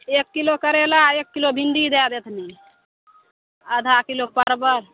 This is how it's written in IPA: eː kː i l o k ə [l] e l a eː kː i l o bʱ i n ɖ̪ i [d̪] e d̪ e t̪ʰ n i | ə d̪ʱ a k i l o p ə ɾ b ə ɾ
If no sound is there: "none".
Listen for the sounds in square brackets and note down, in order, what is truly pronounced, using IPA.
ɾ, d̪

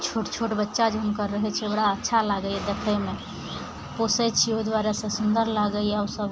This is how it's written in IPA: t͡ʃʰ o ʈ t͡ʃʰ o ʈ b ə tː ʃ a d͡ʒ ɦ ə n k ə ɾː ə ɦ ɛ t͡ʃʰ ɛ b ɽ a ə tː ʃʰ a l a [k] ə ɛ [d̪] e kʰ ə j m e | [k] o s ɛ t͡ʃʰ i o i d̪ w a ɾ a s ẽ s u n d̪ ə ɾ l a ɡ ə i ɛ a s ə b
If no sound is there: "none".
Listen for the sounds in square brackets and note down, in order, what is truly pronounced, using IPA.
ɡ, d̪, p

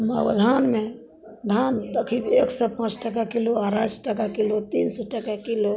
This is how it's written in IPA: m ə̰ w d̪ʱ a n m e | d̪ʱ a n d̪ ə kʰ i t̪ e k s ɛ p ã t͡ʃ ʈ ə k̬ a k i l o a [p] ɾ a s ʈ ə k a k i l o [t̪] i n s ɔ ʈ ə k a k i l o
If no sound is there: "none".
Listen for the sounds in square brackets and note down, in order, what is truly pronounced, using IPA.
none, t̪

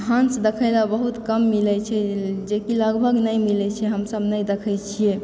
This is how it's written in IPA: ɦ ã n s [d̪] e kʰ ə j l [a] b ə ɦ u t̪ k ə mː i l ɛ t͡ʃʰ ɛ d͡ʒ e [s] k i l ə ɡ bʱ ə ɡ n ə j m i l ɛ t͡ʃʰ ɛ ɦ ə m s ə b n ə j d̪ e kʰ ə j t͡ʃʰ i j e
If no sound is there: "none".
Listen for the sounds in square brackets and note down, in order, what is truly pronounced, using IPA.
d̪, a, none

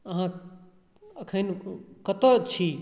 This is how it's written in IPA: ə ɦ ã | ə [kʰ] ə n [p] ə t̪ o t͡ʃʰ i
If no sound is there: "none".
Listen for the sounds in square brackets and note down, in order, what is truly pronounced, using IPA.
kʰ, k

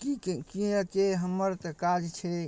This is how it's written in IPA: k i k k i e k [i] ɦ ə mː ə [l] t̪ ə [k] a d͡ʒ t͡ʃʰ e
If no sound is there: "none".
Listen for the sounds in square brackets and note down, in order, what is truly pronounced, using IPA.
e, ɾ, k

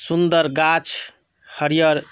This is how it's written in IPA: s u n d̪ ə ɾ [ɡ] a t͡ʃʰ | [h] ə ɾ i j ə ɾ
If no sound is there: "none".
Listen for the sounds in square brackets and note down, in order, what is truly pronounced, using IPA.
ɡ, h

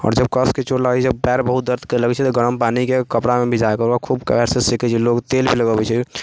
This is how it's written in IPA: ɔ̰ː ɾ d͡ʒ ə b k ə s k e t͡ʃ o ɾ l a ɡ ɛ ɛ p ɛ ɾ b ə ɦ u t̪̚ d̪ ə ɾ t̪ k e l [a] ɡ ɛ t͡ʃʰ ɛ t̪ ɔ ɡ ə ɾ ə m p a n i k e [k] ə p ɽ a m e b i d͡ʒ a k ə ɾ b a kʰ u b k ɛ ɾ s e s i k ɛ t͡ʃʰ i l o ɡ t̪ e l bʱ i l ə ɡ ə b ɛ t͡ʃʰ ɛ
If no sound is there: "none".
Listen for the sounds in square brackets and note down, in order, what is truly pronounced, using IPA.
ə, k

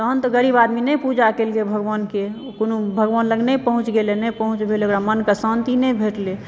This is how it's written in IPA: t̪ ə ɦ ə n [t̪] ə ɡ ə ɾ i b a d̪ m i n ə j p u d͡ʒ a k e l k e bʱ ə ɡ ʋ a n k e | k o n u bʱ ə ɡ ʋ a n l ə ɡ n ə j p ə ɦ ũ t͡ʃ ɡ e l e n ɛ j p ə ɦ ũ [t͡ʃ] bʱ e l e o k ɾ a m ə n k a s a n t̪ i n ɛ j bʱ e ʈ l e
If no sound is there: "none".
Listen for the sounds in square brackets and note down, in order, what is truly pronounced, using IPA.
t̪, t͡ʃ

